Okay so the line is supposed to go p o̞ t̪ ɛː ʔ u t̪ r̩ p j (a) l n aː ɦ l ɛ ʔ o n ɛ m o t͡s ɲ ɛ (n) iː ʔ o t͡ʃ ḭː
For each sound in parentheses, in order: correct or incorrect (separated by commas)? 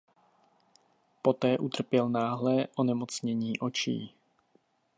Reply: incorrect, incorrect